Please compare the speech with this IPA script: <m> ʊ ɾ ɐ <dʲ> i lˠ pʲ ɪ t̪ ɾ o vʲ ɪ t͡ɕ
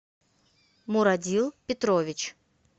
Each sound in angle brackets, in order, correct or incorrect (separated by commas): correct, correct